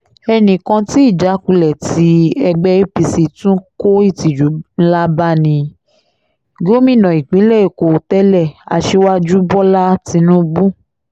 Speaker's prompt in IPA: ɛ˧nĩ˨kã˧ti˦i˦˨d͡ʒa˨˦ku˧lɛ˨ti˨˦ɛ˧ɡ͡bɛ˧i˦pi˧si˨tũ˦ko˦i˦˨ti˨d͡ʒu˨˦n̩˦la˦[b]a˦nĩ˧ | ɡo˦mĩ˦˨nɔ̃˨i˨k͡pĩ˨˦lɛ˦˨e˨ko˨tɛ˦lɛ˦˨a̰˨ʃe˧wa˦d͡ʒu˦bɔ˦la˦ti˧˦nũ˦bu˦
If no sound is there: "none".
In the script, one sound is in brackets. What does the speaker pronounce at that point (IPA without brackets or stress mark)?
b